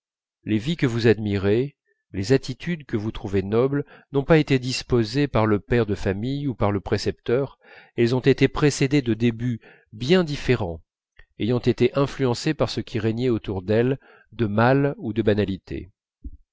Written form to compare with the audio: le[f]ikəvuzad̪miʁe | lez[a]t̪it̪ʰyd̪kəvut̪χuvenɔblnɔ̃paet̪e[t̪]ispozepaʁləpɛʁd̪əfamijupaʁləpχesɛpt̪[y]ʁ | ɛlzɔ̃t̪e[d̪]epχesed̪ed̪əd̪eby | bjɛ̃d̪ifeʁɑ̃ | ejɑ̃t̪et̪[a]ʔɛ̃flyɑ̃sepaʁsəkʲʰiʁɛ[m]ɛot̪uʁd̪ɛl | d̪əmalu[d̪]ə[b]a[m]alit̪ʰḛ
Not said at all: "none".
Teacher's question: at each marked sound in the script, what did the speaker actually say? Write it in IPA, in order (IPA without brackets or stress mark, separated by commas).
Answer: v, a, d̪, œ, t̪, e, ɲ, d̪, b, n